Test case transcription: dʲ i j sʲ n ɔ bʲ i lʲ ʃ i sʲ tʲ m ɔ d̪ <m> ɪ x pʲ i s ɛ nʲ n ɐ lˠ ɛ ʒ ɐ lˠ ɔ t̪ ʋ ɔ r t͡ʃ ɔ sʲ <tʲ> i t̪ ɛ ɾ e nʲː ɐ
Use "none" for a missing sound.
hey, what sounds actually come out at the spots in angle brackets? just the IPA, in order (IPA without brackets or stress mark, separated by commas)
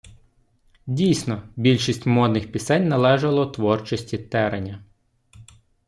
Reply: n, tʲ